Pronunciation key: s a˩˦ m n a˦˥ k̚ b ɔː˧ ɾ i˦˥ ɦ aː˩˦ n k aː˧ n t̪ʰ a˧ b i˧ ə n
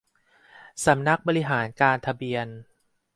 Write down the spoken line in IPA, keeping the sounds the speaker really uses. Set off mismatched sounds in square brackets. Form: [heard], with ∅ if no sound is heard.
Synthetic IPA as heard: s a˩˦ m n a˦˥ k̚ b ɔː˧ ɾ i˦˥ ɦ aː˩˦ n k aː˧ n t̪ʰ a˧ b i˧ ə n